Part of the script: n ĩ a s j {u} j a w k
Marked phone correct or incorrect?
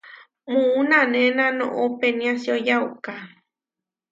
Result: incorrect: o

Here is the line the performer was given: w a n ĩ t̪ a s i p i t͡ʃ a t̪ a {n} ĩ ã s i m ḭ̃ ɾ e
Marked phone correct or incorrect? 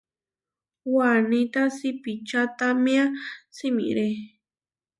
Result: incorrect: m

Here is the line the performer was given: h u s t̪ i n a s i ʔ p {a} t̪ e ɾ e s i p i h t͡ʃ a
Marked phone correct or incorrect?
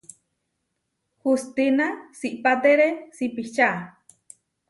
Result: correct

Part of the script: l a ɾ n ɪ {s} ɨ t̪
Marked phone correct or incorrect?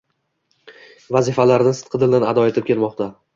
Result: correct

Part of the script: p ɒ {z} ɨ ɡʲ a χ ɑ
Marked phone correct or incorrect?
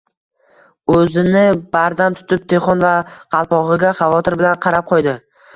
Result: incorrect: ʁ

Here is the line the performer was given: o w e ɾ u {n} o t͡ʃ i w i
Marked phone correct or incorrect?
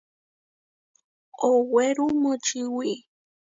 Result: incorrect: m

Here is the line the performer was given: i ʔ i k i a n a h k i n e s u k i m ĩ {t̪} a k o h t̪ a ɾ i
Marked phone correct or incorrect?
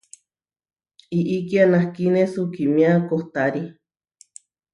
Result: incorrect: none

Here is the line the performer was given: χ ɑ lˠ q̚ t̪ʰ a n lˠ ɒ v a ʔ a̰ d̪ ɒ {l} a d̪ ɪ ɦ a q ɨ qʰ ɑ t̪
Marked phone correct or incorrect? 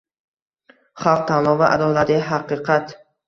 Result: correct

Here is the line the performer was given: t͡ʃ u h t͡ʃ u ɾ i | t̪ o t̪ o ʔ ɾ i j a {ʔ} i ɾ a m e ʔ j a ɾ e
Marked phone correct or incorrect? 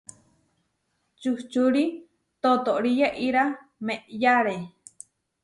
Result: correct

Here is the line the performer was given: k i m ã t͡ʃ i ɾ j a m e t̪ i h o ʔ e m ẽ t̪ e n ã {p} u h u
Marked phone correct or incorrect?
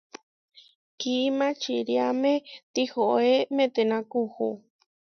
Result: incorrect: k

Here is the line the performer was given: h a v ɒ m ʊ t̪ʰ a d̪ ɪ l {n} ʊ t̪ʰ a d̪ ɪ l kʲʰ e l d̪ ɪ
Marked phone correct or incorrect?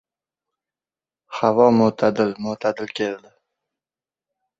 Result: incorrect: m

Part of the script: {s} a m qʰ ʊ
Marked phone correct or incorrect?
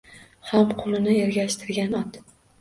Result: incorrect: h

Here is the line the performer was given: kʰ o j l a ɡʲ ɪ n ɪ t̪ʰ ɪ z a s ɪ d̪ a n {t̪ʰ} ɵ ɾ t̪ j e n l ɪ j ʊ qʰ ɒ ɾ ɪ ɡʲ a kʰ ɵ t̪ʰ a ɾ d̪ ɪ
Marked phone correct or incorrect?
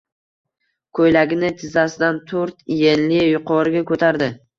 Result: correct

